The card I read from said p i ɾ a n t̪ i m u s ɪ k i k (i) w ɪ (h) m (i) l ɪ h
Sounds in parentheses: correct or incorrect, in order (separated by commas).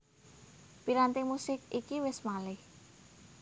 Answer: correct, incorrect, incorrect